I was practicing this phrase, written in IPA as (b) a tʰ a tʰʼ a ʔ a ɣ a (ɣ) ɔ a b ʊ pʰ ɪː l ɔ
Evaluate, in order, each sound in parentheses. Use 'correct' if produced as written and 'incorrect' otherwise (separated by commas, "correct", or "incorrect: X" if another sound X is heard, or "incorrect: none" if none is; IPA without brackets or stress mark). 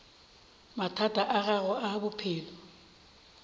incorrect: m, correct